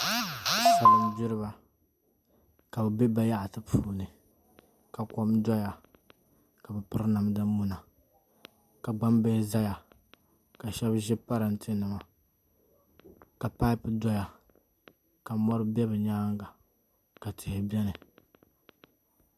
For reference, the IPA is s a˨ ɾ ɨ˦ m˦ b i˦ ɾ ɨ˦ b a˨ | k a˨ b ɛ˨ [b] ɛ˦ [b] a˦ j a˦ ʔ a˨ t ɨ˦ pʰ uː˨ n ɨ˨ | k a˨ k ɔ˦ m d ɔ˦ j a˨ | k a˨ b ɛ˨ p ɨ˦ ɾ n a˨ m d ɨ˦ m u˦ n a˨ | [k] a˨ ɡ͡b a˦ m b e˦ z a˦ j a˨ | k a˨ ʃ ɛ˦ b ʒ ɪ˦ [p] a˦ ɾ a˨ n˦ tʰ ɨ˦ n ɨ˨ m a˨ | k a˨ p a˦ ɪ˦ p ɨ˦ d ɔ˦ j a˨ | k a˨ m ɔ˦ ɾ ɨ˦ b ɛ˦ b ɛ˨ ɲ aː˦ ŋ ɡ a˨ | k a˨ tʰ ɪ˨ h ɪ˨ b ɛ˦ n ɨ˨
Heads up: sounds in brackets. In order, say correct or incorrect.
correct, correct, correct, correct

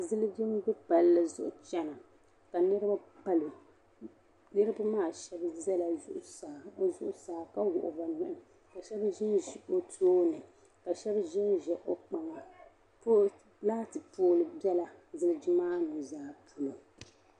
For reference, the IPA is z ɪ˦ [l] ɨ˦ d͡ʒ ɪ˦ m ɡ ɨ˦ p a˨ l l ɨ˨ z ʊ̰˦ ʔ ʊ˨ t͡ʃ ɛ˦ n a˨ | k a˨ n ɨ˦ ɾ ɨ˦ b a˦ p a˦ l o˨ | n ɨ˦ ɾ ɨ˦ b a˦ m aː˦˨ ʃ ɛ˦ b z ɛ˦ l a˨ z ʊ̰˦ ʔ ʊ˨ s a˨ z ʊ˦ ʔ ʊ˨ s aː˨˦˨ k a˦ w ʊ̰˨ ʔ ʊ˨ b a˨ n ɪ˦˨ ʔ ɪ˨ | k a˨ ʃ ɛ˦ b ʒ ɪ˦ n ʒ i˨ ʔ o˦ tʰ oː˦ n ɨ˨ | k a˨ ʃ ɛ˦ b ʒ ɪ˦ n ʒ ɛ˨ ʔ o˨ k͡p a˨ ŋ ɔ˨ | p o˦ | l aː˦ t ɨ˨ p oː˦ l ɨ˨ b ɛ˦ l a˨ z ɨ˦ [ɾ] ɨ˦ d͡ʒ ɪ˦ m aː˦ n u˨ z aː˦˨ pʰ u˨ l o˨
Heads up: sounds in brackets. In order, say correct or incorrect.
correct, incorrect: l

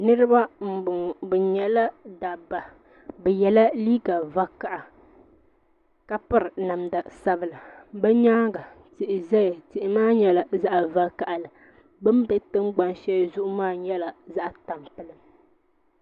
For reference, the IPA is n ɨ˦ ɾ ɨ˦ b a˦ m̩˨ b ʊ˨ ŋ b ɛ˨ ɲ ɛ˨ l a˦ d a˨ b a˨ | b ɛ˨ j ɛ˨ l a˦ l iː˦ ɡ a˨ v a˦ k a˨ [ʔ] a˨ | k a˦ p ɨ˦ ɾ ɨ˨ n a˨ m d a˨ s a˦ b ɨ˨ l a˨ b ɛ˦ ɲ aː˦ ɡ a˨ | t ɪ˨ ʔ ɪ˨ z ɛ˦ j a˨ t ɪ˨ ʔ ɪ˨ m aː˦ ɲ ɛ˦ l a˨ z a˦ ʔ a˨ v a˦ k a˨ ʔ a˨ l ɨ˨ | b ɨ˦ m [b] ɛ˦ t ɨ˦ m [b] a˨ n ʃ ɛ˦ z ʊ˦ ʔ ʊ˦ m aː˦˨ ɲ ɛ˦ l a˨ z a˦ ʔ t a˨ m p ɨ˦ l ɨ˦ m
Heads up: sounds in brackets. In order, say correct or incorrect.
correct, correct, incorrect: ɡ͡b

